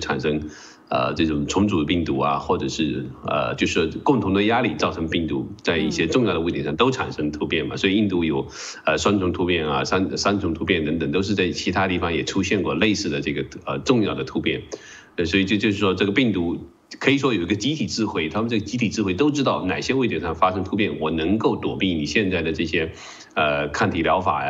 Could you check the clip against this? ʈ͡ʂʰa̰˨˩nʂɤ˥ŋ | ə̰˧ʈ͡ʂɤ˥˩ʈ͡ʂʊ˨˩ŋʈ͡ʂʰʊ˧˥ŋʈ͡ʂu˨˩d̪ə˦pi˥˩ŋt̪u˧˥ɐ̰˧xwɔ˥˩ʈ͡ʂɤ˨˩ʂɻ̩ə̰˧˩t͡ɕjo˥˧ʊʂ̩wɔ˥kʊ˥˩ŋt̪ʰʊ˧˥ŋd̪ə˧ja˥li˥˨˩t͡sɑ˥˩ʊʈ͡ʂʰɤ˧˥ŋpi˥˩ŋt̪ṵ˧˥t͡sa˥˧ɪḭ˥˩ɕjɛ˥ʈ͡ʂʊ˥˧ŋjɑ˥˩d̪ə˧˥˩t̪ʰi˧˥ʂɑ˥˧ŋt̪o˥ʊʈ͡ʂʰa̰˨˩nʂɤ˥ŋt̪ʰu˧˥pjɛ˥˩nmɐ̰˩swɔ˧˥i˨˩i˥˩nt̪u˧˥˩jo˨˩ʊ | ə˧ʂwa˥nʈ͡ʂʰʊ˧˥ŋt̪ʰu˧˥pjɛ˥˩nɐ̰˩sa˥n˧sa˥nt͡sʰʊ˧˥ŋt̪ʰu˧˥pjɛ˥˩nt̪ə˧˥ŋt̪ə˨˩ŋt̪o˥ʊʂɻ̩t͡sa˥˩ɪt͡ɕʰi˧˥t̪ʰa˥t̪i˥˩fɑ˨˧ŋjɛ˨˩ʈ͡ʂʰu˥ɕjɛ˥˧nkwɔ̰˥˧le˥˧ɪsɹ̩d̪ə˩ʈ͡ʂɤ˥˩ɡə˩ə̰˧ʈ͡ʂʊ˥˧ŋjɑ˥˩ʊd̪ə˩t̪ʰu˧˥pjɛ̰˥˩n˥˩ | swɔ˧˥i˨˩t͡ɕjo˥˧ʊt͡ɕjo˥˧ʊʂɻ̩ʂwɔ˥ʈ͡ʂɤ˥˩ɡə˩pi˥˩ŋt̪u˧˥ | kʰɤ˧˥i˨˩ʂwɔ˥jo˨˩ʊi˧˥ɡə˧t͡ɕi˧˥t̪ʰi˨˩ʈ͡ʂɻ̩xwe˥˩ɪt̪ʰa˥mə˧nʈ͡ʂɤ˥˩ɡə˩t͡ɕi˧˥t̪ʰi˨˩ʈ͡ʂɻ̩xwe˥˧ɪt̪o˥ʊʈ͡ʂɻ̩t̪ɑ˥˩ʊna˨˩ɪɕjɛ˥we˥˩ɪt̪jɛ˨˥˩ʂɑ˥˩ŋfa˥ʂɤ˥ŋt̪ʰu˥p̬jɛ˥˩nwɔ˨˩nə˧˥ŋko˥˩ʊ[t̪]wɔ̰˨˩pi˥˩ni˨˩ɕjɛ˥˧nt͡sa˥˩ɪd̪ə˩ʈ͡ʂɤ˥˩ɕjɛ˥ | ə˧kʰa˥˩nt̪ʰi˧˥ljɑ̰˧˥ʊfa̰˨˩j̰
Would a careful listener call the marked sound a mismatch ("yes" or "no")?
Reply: no